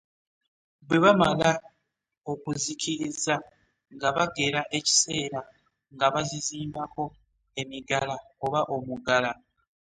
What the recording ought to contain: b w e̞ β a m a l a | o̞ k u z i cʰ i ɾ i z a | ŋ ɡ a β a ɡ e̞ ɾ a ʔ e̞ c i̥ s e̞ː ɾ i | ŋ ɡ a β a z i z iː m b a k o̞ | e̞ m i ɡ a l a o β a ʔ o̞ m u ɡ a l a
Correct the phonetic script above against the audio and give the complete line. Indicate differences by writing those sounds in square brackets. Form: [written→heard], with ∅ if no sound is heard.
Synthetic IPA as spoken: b w e̞ β a m a l a | o̞ k u z i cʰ i ɾ i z a | ŋ ɡ a β a ɡ e̞ ɾ a ʔ e̞ c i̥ s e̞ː ɾ [i→a] | ŋ ɡ a β a z i z iː m b a k o̞ | e̞ m i ɡ a l a o β a ʔ o̞ m u ɡ a l a

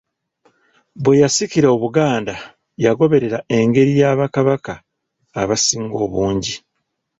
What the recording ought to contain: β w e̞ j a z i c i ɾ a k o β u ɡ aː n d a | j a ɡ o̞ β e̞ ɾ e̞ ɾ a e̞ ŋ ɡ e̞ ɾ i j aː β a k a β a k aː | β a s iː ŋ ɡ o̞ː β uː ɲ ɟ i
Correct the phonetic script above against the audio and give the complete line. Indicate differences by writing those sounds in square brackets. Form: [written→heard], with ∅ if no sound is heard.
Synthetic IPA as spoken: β w e̞ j a [z→s] i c i ɾ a [k→∅] o β u ɡ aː n d a | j a ɡ o̞ β e̞ ɾ e̞ ɾ a e̞ ŋ ɡ e̞ ɾ i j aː β a k a β a k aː | β a s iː ŋ ɡ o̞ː β uː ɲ ɟ i

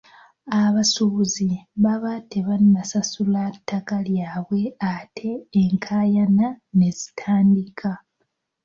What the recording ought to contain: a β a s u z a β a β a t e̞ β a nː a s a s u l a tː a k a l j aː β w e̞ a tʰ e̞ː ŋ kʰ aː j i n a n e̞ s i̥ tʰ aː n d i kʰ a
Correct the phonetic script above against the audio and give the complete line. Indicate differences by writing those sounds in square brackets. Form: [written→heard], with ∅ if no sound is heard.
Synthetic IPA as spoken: a β a s u z [a→i] β a β a t e̞ β a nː a s a s u l a tː a k a l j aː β w e̞ a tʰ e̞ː ŋ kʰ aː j [i→a] n a n e̞ [s→z] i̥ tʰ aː n d i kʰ a

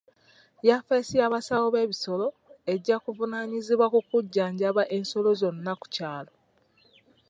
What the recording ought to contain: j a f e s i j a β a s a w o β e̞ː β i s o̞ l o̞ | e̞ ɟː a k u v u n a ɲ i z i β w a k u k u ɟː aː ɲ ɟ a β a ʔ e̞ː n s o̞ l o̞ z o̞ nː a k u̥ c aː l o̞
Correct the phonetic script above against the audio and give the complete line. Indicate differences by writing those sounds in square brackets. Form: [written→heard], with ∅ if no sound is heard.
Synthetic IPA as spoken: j a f e s i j a β a s a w o β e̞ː β i s o̞ l o̞ | e̞ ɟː a k u v u n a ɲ i z i β w a k u k u ɟː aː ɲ ɟ a β a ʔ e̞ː n s o̞ l o̞ z o̞ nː a k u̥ c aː l o̞

